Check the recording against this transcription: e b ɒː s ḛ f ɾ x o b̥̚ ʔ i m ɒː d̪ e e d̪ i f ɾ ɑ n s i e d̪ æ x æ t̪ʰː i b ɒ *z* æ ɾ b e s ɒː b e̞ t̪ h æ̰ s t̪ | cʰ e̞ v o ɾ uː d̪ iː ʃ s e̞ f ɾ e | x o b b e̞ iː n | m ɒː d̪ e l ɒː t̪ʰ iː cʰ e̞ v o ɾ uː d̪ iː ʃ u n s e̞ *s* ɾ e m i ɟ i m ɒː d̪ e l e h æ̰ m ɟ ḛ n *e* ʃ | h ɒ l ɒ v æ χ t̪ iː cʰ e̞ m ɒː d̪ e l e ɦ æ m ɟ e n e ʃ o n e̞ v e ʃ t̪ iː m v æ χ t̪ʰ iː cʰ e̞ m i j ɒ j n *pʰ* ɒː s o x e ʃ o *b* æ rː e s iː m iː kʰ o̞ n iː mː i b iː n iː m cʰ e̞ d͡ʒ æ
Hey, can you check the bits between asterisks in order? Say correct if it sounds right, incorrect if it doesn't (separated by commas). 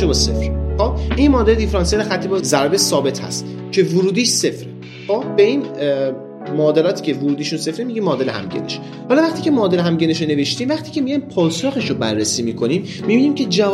correct, incorrect, correct, correct, correct